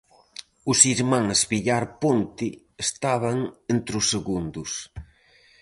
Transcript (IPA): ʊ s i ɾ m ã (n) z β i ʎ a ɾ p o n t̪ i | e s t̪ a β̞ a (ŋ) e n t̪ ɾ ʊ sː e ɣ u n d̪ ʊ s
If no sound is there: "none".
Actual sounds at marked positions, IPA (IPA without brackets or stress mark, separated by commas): ŋ, ŋ